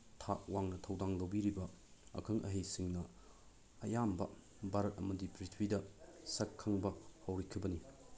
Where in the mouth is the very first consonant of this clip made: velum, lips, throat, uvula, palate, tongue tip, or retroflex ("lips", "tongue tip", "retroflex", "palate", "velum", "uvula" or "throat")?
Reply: tongue tip